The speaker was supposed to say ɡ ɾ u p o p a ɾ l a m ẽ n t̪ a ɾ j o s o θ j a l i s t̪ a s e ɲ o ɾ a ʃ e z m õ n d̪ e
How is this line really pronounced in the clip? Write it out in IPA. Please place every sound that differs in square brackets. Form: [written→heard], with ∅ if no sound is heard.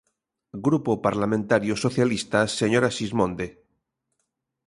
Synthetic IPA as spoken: ɡ ɾ u p o p a ɾ l a m ẽ n t̪ a ɾ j o s o θ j a l i s t̪ a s e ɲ o ɾ a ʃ [e→i] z m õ n d̪ e